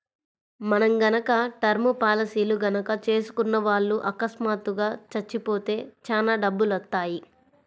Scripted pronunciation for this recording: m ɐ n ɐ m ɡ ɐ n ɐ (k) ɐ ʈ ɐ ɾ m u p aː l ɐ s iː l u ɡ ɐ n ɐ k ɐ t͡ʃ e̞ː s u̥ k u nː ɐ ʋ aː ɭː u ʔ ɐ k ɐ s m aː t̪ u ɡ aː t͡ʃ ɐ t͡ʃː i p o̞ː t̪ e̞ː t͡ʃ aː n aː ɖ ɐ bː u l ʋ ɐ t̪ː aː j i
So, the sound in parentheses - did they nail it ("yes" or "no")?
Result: yes